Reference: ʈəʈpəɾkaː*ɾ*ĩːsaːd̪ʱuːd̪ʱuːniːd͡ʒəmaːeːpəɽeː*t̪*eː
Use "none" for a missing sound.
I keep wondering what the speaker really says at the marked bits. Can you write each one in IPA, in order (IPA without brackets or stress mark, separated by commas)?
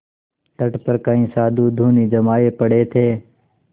none, t̪ʰ